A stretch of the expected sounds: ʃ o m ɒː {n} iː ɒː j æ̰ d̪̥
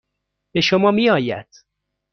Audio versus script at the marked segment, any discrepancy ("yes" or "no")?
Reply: yes